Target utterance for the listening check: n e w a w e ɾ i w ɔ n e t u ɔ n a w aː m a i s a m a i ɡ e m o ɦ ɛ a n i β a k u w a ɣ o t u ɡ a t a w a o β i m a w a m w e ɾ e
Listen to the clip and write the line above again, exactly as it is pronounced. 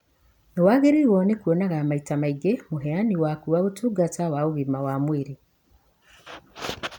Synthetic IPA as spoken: n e w a ɣ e ɾ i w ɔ n e k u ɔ n a ɣ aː m a i t a m a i ɡ e m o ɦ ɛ a n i w a k u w a ɣ o t u ɡ a t a w a o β i m a w a m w e ɾ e